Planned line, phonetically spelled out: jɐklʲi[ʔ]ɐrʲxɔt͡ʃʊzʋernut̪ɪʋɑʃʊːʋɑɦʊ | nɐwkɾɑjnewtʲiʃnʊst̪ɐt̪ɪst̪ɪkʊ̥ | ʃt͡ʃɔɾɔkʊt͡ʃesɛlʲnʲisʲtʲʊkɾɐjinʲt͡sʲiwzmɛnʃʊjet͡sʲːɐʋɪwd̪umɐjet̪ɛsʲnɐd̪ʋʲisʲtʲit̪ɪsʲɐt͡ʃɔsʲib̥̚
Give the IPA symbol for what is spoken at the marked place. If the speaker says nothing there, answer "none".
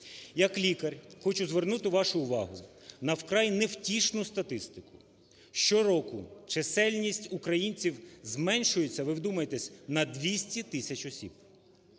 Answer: k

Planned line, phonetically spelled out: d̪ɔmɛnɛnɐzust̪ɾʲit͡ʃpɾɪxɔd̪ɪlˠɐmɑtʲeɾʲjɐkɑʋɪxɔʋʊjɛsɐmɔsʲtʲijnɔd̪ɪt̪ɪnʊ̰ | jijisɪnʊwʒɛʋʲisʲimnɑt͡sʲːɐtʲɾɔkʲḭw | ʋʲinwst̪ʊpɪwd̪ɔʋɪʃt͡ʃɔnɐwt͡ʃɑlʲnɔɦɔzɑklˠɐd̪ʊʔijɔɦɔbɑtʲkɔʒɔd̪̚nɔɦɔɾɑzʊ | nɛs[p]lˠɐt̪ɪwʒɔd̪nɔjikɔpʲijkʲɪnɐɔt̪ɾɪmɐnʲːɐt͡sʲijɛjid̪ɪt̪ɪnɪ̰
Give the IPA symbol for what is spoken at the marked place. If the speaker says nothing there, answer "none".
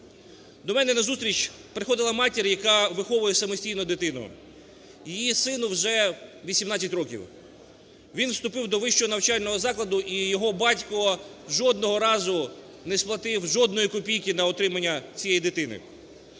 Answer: p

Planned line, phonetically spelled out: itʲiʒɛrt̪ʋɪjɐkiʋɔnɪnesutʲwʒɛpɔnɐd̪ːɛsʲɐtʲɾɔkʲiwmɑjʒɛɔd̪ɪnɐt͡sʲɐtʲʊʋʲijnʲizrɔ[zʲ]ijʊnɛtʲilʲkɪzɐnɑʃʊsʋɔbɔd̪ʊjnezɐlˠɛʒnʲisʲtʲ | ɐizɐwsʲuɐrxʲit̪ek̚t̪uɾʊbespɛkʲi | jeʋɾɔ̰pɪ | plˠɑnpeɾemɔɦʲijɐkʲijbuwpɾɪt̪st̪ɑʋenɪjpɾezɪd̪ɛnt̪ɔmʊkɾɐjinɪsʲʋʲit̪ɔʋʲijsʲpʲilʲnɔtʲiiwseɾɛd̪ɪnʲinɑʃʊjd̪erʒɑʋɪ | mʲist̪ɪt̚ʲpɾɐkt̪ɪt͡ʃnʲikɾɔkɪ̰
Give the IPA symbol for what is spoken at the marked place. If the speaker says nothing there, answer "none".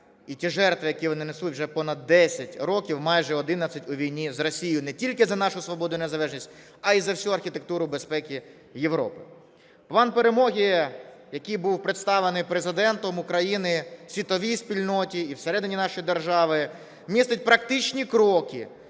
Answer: sʲ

